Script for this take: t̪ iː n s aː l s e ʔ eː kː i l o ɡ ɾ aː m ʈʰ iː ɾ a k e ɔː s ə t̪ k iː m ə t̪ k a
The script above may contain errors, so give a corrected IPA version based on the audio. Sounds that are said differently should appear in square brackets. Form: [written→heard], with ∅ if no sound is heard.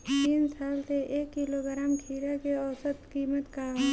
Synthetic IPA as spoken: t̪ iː n s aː l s e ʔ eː kː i l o ɡ ɾ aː m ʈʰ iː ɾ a k e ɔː s ə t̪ k iː m ə t̪ k a

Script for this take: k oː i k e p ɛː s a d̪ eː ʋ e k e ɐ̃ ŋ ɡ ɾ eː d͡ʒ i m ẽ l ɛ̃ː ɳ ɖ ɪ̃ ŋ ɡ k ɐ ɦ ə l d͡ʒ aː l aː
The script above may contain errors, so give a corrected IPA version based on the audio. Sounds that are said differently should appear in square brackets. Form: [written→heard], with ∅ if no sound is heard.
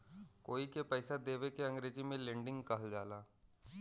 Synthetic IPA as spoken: k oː i k e p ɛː s a d̪ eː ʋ e k e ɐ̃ ŋ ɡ ɾ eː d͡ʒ i m ẽ l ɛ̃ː ɳ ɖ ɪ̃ ŋ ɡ k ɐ ɦ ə l d͡ʒ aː l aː

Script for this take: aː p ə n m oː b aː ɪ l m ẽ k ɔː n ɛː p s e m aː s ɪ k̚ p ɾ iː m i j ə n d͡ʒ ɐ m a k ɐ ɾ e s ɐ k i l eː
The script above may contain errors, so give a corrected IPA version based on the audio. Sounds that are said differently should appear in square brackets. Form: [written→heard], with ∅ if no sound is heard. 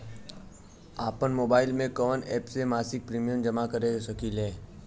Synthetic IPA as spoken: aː p ə n m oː b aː ɪ l m ẽ k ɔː n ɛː p s e m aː s ɪ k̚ p ɾ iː m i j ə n d͡ʒ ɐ m a k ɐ ɾ e s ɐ k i l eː

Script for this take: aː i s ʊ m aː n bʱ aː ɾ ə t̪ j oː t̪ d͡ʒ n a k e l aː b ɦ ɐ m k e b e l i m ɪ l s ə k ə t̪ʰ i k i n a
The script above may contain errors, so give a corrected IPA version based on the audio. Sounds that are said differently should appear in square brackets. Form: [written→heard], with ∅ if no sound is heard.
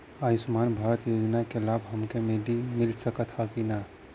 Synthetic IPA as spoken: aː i s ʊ m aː n bʱ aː ɾ ə t̪ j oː [t̪→∅] d͡ʒ n a k e l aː b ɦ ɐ m k e [b→m] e l i m ɪ l s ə k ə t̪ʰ [i→a] k i n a

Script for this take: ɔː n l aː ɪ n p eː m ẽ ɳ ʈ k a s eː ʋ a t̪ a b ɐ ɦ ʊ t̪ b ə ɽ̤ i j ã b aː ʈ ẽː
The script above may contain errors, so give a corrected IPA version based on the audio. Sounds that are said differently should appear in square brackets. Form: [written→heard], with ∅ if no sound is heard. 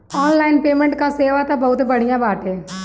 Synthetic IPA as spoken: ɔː n l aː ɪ n p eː m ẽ ɳ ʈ k a s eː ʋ a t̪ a b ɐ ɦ ʊ t̪ b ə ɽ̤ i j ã b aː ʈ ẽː

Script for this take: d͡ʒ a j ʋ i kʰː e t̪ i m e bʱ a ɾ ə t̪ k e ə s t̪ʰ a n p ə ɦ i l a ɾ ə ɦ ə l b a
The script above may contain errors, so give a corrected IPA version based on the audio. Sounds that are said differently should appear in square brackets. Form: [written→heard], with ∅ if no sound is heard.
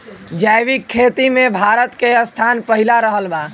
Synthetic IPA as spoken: d͡ʒ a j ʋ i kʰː e t̪ i m e bʱ a ɾ ə t̪ k e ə s t̪ʰ a n p ə ɦ i l a ɾ ə ɦ ə l b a

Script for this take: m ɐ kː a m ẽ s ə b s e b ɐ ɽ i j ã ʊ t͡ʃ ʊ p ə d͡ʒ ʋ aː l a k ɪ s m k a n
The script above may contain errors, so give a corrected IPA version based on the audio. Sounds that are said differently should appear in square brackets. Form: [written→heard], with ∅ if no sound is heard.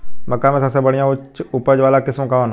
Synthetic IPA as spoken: m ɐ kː a m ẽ s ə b s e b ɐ ɽ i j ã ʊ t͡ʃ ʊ p ə d͡ʒ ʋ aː l a k ɪ s m k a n

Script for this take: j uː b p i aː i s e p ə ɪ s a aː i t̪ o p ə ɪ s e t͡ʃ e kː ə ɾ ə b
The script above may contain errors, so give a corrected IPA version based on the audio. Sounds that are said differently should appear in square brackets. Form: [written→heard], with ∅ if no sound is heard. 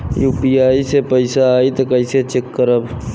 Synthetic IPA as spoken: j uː [b→∅] p i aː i s e p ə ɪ s a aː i t̪ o [p→k] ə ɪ s e t͡ʃ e kː ə ɾ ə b

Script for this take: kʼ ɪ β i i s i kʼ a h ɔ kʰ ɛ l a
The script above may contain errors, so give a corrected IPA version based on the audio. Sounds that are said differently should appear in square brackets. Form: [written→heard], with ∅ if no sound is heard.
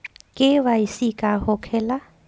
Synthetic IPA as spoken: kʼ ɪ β [i→a] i s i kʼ a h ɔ kʰ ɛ l a

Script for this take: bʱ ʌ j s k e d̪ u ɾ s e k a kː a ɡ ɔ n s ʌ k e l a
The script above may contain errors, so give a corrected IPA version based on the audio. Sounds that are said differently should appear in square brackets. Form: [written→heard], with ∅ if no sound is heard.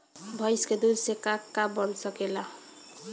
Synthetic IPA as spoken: bʱ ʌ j s k e d̪ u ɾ s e k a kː a [ɡ→b] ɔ n s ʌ k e l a

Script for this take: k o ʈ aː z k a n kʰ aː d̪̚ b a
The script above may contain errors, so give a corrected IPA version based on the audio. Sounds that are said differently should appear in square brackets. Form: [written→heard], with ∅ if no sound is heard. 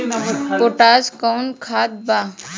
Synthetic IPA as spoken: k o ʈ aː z k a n kʰ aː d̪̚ b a

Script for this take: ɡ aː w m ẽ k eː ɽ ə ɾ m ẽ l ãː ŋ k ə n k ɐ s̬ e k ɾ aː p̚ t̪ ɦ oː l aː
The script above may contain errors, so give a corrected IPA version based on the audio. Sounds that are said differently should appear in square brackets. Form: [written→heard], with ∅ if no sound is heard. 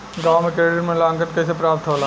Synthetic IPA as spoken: ɡ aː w m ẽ k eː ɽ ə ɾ m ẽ l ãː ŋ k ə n k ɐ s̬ e [k→p] ɾ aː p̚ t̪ ɦ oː l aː

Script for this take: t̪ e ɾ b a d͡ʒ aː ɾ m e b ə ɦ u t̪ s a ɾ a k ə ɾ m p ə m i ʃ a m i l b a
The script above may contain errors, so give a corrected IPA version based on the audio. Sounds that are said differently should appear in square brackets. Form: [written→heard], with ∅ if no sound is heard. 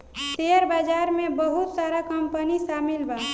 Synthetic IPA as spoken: t̪ e ɾ b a d͡ʒ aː ɾ m e b ə ɦ u t̪ s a ɾ a k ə [ɾ→∅] m p ə [m→n] i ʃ a m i l b a

